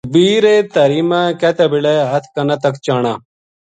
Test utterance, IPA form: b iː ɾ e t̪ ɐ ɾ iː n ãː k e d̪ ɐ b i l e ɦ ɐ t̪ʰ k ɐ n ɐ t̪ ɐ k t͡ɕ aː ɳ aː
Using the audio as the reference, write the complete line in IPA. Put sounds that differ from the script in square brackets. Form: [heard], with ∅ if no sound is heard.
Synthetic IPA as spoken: b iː ɾ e t̪ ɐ ɾ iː [m] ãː k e [t̪] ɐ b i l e ɦ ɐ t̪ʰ k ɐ n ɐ t̪ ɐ k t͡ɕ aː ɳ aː

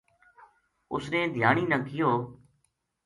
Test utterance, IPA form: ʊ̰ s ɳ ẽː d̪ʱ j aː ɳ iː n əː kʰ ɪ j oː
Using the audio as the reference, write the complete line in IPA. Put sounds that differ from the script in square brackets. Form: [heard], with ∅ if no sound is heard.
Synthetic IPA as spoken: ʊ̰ s [n] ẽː d̪ʱ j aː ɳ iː n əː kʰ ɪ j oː

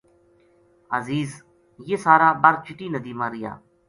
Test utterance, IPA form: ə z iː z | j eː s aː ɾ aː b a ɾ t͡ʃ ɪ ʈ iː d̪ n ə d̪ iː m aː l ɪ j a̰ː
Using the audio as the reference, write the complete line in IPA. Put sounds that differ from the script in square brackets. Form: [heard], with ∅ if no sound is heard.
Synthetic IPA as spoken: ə z iː z | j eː s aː ɾ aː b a ɾ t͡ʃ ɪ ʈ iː [∅] n ə d̪ iː m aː [ɾ] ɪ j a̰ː

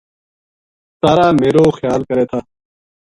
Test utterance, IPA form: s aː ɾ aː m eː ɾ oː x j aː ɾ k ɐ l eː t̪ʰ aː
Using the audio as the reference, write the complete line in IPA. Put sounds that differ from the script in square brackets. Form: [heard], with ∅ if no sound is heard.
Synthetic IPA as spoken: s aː ɾ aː m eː ɾ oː x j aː [l] k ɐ [ɾ] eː t̪ʰ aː

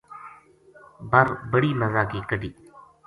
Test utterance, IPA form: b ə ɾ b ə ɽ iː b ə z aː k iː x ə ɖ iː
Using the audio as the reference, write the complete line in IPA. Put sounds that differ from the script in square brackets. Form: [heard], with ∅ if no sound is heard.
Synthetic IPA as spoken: b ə ɾ b ə ɽ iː [m] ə z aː k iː [k] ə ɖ iː

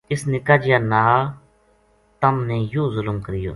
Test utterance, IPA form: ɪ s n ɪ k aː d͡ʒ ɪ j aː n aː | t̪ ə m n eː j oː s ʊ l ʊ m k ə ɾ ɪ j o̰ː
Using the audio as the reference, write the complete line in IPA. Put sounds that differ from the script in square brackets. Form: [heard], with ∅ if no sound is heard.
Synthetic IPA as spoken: ɪ s n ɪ k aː d͡ʒ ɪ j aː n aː | t̪ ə m n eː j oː [z] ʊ l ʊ m k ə ɾ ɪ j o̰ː

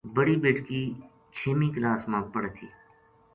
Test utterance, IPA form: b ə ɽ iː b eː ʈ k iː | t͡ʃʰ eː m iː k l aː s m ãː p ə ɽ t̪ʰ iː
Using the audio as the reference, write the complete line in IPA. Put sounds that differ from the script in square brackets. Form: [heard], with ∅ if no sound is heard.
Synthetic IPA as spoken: b ə ɽ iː b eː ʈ k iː | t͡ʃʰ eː m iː k l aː s m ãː p ə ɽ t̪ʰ iː

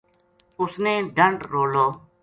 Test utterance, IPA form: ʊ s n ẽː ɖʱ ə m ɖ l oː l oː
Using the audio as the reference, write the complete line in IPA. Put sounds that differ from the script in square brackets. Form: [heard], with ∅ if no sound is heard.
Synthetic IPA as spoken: ʊ s n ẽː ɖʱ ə [ɳ] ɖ [ɾ] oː l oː

